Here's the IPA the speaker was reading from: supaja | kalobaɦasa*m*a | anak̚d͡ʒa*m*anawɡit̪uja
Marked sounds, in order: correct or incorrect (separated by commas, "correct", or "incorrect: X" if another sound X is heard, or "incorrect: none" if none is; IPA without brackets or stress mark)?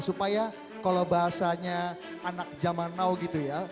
incorrect: ɲ, correct